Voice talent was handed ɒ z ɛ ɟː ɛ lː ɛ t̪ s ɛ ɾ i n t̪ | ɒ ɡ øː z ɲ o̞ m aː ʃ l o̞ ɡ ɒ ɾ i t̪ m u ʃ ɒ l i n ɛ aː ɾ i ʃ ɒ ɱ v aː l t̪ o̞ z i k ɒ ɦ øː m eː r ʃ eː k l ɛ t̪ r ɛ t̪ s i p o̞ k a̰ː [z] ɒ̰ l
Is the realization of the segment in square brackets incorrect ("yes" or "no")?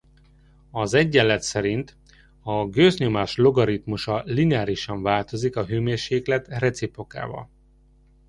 yes